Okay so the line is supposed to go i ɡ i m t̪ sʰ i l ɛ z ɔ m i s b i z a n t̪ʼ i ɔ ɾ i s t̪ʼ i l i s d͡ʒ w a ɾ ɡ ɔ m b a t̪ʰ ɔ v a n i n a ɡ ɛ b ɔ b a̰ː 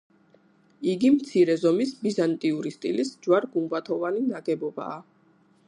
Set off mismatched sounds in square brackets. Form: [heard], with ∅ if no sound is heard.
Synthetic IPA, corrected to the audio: i ɡ i m t̪ sʰ i [ɾ] ɛ z ɔ m i s b i z a n t̪ʼ i [u] ɾ i s t̪ʼ i l i s d͡ʒ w a ɾ ɡ [u] m b a t̪ʰ ɔ v a n i n a ɡ ɛ b ɔ b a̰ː